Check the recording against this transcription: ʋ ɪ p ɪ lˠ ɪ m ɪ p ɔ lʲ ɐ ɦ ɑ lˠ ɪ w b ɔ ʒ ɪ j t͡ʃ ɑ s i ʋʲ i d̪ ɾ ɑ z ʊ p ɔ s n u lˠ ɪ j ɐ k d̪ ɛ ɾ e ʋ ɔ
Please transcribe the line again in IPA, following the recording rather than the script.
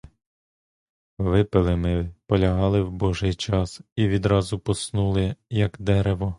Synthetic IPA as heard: ʋ ɪ p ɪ lˠ ɪ m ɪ p ɔ lʲ ɐ ɦ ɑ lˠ ɪ w b ɔ ʒ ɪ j t͡ʃ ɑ s i ʋʲ i d̪ ɾ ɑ z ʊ p ɔ s n u lˠ ɪ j ɐ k d̪ ɛ ɾ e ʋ ɔ